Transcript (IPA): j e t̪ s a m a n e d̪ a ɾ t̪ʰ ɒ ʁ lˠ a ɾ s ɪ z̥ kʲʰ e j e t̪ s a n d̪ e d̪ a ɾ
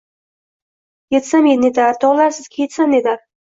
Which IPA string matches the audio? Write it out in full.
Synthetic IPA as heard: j e t̪ s a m e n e d̪ a ɾ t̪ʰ ɒ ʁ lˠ a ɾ s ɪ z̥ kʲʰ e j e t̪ s a n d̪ e d̪ a ɾ